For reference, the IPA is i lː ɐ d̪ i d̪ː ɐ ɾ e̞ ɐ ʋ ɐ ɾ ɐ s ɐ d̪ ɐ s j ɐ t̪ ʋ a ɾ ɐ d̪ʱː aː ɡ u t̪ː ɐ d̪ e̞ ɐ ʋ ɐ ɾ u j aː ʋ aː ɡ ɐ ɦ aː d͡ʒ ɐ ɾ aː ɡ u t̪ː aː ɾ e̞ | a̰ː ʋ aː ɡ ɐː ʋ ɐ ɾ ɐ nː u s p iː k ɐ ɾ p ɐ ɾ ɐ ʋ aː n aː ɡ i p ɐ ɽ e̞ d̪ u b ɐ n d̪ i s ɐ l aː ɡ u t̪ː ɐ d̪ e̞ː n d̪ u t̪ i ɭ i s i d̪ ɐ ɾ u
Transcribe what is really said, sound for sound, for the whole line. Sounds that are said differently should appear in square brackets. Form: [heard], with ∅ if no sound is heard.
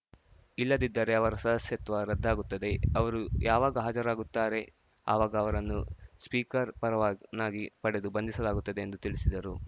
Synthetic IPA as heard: i lː ɐ d̪ i d̪ː ɐ ɾ e̞ ɐ ʋ ɐ ɾ ɐ s ɐ d̪ ɐ s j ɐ t̪ ʋ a ɾ ɐ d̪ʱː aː ɡ u t̪ː ɐ d̪ e̞ ɐ ʋ ɐ ɾ u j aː ʋ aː ɡ ɐ ɦ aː d͡ʒ ɐ ɾ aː ɡ u t̪ː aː ɾ e̞ | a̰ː ʋ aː ɡ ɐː ʋ ɐ ɾ ɐ nː u s p iː k ɐ ɾ p ɐ ɾ ɐ ʋ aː n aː ɡ i p ɐ ɽ e̞ d̪ u b ɐ n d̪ i s ɐ l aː ɡ u t̪ː ɐ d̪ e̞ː n d̪ u t̪ i ɭ i s i d̪ ɐ ɾ u